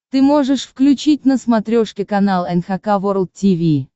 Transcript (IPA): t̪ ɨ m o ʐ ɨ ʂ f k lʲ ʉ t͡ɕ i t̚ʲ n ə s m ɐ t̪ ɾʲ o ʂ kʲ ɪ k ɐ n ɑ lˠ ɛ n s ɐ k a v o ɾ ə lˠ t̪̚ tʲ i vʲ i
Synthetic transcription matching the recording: t̪ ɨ m o ʐ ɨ ʂ f k lʲ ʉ t͡ɕ i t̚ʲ n ə s m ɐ t̪ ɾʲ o ʂ kʲ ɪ k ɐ n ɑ lˠ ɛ n x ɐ k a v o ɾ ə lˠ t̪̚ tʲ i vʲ i

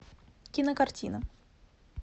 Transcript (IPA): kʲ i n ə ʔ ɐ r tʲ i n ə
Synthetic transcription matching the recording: kʲ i n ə k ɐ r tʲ i n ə

